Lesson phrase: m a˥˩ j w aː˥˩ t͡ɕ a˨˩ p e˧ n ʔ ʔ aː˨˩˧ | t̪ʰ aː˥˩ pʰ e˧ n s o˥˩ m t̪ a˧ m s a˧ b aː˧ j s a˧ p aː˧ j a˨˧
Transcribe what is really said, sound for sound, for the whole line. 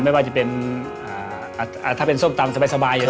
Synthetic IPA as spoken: m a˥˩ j w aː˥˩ t͡ɕ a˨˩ p e˧ n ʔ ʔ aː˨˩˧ | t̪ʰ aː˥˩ p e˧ n s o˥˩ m t̪ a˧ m s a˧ b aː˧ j s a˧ b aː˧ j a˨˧